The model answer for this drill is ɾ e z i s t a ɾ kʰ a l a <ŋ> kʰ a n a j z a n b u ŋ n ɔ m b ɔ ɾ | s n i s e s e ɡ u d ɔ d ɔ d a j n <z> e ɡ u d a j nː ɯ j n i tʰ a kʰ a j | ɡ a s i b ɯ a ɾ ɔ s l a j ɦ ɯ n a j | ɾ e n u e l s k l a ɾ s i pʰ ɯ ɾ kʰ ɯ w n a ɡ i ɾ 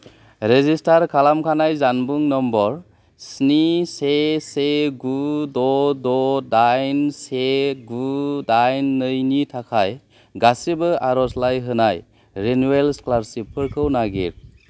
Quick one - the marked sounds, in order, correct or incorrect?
incorrect: m, incorrect: s

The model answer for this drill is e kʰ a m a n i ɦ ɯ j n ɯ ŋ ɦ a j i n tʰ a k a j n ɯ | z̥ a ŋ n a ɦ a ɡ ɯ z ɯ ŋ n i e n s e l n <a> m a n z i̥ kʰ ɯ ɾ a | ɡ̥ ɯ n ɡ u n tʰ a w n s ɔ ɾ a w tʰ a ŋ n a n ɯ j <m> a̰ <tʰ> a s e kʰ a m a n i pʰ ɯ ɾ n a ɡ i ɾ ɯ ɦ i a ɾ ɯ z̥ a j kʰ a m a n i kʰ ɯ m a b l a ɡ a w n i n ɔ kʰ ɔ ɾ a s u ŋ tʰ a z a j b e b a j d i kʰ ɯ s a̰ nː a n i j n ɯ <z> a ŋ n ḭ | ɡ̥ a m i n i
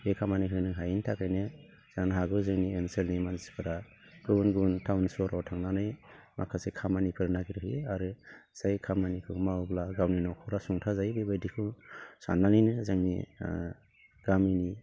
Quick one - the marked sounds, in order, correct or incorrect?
incorrect: i, correct, incorrect: kʰ, correct

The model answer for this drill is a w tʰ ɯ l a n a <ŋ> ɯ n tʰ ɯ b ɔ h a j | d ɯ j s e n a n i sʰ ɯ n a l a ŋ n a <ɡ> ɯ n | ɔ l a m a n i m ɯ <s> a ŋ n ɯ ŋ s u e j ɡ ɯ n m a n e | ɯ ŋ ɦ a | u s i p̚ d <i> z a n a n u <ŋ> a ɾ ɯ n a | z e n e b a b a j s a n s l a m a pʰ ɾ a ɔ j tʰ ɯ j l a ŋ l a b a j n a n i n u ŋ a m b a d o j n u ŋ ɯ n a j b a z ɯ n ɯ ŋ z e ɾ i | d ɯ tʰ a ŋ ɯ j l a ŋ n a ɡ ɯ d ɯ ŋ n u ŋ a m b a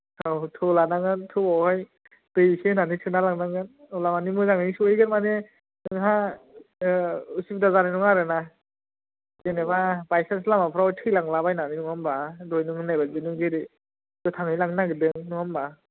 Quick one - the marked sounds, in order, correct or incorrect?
correct, incorrect: ŋ, incorrect: z, incorrect: a, correct

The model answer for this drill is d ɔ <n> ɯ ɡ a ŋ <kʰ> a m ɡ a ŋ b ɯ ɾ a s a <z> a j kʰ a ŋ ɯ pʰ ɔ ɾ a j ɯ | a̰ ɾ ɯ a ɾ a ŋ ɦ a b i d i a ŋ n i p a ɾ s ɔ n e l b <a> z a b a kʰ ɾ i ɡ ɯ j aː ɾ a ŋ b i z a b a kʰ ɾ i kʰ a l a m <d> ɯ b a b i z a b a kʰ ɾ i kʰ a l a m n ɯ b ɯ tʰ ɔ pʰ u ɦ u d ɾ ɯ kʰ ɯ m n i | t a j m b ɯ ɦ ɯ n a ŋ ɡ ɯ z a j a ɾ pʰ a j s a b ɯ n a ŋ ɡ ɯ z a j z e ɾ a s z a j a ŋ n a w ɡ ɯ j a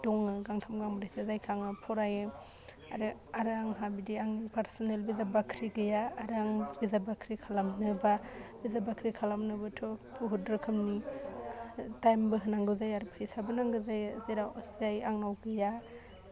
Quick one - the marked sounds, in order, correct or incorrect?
incorrect: ŋ, incorrect: tʰ, correct, incorrect: i, incorrect: n

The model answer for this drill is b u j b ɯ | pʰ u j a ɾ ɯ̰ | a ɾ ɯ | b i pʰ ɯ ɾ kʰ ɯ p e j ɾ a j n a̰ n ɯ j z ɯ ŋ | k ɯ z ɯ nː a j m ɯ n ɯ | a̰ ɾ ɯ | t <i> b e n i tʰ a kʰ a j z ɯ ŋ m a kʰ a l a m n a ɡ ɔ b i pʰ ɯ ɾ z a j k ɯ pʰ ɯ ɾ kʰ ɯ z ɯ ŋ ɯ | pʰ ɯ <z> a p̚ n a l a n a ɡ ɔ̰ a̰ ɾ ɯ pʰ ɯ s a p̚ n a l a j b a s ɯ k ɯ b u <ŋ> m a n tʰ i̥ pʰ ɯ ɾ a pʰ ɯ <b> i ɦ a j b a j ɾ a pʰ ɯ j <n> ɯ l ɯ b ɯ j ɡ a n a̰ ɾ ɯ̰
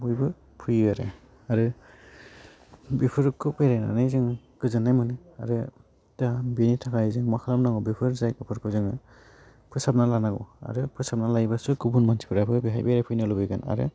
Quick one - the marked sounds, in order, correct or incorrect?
incorrect: a, incorrect: s, incorrect: n, correct, correct

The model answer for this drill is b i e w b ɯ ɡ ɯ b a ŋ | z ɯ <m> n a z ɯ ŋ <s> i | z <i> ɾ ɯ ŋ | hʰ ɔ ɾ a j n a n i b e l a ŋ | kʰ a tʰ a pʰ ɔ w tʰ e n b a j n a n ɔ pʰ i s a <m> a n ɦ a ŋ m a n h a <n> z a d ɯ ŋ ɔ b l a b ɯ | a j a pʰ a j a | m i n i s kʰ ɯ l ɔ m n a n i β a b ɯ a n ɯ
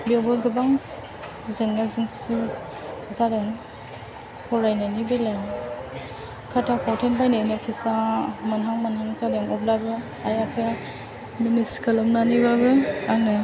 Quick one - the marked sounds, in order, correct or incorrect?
incorrect: ŋ, correct, incorrect: a, correct, incorrect: ŋ

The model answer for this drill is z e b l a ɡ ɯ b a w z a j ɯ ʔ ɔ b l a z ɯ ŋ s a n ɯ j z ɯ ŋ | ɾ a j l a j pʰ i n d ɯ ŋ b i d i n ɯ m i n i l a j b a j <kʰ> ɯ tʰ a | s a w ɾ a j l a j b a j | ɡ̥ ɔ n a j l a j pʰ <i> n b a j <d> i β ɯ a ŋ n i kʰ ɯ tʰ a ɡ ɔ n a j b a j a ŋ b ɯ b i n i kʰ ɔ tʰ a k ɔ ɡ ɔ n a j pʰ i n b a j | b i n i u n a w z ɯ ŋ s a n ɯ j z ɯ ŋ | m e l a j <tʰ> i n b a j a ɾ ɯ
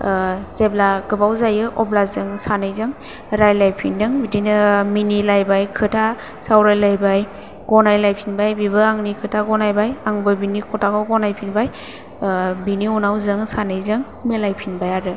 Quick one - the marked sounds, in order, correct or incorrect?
correct, correct, incorrect: b, incorrect: pʰ

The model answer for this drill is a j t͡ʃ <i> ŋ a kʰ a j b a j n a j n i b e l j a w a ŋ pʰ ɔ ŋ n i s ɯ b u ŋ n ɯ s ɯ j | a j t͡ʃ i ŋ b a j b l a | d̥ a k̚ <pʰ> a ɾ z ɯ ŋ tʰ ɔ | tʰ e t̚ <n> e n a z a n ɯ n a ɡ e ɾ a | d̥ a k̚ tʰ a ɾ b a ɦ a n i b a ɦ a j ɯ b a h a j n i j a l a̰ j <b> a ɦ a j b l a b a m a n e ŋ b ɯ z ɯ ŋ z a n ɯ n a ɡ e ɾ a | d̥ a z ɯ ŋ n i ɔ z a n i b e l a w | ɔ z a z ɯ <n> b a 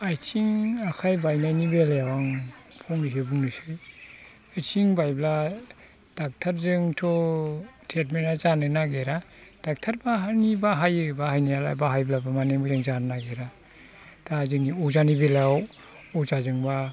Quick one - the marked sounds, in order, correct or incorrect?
correct, incorrect: tʰ, incorrect: m, correct, incorrect: ŋ

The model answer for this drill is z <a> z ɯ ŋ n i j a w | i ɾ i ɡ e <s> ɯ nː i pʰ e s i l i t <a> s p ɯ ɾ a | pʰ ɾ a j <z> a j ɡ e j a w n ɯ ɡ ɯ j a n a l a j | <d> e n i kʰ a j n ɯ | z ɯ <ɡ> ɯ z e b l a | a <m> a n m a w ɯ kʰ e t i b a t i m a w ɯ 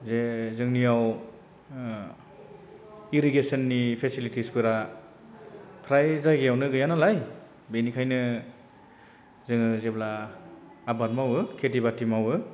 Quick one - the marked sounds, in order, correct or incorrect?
incorrect: e, correct, incorrect: i, correct, incorrect: b, incorrect: ŋ, incorrect: b

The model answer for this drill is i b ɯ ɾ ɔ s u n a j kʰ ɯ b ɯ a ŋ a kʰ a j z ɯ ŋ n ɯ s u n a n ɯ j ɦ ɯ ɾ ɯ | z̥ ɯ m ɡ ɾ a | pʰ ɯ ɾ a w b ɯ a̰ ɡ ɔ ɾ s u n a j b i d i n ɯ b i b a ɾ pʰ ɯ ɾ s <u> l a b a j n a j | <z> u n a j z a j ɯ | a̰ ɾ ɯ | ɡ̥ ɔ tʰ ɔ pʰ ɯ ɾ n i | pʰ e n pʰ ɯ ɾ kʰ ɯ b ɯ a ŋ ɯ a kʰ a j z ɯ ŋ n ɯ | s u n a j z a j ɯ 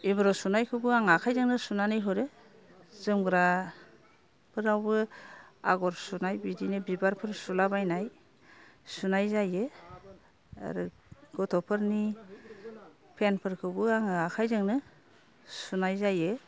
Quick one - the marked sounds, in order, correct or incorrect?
correct, incorrect: s

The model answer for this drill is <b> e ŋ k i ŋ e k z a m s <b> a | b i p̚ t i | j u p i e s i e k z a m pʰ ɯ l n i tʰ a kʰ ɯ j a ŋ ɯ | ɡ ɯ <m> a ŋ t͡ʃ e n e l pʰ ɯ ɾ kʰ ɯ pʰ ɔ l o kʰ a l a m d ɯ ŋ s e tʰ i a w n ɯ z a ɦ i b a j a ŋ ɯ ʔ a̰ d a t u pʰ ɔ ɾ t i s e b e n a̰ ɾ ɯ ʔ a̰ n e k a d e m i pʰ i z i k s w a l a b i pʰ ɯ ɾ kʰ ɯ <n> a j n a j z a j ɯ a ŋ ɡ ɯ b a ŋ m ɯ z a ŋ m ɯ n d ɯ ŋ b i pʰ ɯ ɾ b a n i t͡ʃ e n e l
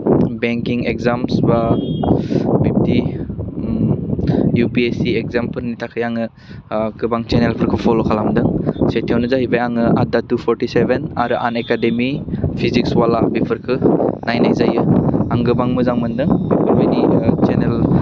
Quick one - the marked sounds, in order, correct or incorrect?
correct, correct, incorrect: b, correct

